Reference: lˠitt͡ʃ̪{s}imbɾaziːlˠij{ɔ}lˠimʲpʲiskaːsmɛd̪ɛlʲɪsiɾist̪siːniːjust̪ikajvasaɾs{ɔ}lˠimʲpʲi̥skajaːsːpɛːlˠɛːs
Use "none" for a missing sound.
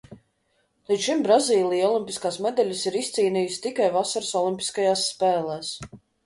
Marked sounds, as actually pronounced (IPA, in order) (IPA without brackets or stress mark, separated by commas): ʃ, ɔ, ɔ